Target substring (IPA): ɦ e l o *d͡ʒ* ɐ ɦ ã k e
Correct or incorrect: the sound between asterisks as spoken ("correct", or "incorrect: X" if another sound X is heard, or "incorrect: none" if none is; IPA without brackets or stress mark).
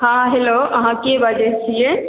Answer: incorrect: none